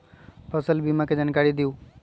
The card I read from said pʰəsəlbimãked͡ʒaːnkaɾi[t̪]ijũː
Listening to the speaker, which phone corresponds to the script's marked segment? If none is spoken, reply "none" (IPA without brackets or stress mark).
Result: d̪